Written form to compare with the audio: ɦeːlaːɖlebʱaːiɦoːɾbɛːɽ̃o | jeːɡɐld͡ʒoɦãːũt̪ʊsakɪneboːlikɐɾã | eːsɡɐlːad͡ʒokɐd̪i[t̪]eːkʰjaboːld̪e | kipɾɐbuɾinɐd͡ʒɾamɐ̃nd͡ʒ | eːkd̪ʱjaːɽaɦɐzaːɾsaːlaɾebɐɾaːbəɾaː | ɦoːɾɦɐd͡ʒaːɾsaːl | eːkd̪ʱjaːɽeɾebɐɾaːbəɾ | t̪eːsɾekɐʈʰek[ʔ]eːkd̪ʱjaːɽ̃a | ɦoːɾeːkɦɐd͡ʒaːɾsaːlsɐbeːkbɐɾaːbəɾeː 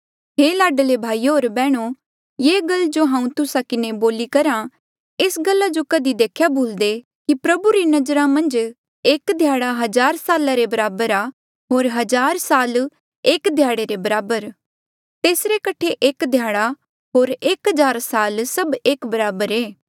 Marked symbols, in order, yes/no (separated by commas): no, yes